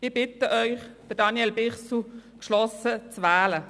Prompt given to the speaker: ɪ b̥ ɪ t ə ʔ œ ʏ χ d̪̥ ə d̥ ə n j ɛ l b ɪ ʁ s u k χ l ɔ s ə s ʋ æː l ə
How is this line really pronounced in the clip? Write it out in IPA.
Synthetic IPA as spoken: ɪ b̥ ɪ t ə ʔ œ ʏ χ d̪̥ ə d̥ ɑ n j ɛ l b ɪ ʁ s u k ʃ l ɔ s ə t͡s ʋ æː l ə